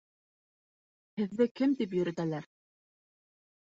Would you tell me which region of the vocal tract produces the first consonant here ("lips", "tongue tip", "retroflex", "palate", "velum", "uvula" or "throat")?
throat